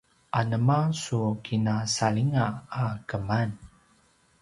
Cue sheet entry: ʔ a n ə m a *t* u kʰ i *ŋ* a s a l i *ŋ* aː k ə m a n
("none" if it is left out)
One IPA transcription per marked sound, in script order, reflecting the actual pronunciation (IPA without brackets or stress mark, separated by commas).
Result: s, n, ŋ